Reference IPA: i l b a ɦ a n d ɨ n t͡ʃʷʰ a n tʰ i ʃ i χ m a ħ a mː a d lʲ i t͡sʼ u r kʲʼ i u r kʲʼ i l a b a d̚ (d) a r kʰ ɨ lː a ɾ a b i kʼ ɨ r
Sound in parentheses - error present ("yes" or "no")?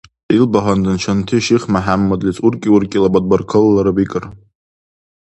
yes